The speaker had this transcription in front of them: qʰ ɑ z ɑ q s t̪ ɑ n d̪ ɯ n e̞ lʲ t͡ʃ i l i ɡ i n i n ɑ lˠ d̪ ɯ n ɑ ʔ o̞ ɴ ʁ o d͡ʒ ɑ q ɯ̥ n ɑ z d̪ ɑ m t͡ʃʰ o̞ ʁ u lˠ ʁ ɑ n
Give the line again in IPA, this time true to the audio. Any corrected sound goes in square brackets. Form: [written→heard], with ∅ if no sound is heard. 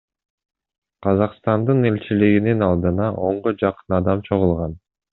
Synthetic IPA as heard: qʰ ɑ z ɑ q s t̪ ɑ n d̪ ɯ n e̞ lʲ t͡ʃ i l i ɡ i n i n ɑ lˠ d̪ ɯ n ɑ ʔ o̞ ɴ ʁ o d͡ʒ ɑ q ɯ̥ n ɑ [z→∅] d̪ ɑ m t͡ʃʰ o̞ ʁ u lˠ ʁ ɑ n